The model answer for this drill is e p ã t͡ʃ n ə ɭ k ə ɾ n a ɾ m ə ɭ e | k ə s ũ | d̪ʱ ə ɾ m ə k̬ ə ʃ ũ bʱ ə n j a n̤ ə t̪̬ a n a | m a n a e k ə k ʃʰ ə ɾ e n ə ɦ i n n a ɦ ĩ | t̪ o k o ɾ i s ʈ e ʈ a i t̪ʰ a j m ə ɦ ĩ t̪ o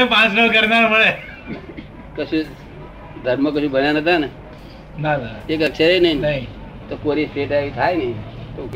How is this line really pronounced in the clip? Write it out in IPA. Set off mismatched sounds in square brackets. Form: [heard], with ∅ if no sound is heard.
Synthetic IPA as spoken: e p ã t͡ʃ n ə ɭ k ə ɾ n a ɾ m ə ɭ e | k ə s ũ | d̪ʱ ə ɾ m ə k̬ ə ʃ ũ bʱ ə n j a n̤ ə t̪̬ a n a | [n] a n a e k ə k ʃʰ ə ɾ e n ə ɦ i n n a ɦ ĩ | t̪ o k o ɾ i s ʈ e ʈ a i t̪ʰ a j [n] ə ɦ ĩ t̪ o